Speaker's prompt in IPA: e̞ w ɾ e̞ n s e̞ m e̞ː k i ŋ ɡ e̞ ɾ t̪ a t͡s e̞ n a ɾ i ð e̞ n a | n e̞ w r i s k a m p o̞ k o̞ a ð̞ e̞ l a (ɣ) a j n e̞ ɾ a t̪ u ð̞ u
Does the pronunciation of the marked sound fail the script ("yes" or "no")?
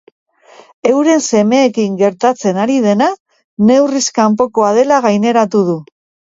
no